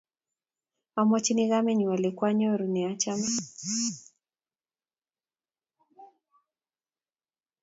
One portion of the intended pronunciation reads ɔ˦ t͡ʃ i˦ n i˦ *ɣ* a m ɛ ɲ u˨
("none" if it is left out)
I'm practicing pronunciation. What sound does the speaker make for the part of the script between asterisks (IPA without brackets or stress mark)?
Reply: ɣ